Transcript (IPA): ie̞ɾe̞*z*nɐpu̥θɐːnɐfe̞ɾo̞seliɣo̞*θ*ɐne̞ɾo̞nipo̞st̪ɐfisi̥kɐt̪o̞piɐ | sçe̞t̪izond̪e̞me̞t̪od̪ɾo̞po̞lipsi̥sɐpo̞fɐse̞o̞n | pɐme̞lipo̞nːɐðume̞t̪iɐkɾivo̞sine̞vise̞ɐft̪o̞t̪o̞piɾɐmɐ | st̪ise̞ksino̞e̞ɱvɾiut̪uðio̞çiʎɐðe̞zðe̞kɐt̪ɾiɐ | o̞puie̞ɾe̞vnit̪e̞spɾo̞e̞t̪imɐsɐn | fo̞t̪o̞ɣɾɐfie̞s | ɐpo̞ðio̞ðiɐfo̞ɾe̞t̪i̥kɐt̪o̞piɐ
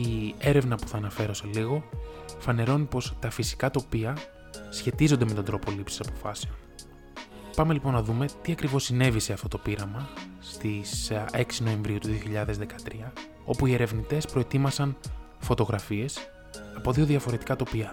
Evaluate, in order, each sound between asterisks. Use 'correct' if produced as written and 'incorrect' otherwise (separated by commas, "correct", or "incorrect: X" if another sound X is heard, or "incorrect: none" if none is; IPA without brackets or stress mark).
incorrect: v, incorrect: f